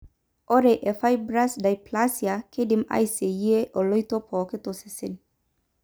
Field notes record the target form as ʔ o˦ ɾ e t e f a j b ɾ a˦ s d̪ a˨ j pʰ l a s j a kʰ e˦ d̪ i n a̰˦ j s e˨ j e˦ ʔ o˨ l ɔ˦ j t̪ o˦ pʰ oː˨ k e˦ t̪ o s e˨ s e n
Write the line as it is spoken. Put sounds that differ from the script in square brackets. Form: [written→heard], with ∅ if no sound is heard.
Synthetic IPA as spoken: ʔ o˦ ɾ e [t→ʔ] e f a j b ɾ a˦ s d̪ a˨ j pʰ l a s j a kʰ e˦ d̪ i [n→m] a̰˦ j s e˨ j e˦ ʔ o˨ l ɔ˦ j t̪ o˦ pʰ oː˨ k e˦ t̪ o s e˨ s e n